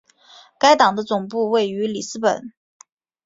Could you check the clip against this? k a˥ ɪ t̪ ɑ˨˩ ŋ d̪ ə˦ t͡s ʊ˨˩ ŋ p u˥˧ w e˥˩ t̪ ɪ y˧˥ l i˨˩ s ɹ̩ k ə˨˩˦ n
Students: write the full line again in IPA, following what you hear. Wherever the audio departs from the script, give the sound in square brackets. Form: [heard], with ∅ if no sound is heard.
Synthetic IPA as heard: k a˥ ɪ t̪ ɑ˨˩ ŋ d̪ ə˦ t͡s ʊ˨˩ ŋ p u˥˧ w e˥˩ [∅] ɪ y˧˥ l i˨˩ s ɹ̩ [p] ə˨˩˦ n

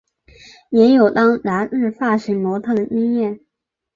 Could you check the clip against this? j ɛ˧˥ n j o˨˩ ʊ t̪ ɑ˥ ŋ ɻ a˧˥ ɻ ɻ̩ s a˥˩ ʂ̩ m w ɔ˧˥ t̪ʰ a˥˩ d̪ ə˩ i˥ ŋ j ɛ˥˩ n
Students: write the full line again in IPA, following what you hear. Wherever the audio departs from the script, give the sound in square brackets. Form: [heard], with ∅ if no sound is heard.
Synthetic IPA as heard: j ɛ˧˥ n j o˨˩ ʊ t̪ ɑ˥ ŋ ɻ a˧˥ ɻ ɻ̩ [f] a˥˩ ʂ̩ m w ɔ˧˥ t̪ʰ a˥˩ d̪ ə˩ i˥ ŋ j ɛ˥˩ n

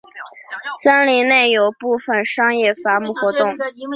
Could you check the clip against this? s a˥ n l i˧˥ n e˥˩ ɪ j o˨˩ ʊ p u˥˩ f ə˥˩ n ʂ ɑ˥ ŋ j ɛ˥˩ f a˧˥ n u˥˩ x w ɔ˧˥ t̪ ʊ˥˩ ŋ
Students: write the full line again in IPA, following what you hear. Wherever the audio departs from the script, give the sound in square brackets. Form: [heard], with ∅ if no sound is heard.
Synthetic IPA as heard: s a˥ n l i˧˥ n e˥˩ ɪ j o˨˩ ʊ p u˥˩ f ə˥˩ n ʂ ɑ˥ ŋ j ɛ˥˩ f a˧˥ [m] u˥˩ x w ɔ˧˥ t̪ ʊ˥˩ ŋ

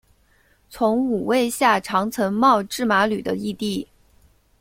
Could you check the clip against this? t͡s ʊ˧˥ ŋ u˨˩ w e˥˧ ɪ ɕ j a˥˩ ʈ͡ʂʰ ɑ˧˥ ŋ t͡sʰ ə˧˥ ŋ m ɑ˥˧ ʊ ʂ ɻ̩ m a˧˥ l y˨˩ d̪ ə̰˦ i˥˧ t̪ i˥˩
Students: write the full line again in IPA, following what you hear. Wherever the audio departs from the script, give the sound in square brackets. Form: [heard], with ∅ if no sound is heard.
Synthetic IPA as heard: [t͡sʰ] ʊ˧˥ ŋ u˨˩ w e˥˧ ɪ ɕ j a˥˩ ʈ͡ʂʰ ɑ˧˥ ŋ t͡sʰ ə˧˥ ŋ m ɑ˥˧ ʊ [ʈ͡ʂ] ɻ̩ m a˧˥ l y˨˩ d̪ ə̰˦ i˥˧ t̪ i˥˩

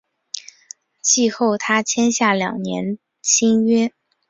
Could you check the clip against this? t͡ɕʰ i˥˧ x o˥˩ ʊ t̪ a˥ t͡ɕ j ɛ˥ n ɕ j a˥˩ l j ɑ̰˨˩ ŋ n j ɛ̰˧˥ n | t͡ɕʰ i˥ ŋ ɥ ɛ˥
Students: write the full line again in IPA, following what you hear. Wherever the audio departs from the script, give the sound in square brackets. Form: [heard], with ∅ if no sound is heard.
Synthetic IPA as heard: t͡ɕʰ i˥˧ x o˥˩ ʊ [t̪ʰ] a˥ [t͡ɕʰ] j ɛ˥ n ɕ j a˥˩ l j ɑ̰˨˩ ŋ n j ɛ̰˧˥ n | t͡ɕʰ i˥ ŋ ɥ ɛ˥

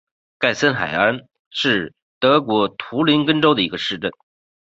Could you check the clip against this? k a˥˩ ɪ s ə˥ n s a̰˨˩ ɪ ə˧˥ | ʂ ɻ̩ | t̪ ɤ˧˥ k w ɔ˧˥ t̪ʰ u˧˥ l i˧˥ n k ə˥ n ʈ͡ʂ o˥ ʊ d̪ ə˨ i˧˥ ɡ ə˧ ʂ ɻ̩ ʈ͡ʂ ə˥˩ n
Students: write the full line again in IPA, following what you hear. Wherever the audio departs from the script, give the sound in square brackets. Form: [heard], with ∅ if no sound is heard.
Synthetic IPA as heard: k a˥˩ ɪ s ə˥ n [x] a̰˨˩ ɪ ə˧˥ | ʂ ɻ̩ | t̪ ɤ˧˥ k w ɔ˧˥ t̪ʰ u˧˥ l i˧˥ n k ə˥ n ʈ͡ʂ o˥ ʊ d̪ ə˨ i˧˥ ɡ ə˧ ʂ ɻ̩ ʈ͡ʂ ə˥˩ n

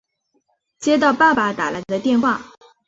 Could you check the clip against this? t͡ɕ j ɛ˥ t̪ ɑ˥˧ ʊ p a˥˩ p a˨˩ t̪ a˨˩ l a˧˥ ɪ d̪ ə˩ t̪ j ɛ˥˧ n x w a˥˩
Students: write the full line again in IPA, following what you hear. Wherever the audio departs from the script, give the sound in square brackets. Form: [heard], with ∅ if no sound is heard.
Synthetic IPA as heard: t͡ɕ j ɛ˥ t̪ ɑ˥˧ ʊ p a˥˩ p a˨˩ t̪ a˨˩ l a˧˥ ɪ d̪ [ə˧] t̪ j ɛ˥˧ n x w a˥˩

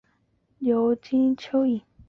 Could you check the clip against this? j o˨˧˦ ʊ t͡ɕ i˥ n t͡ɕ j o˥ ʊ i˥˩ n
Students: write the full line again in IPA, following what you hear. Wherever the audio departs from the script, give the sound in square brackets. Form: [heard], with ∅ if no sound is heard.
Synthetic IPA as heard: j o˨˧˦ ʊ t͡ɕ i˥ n [t͡ɕʰ] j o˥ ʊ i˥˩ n

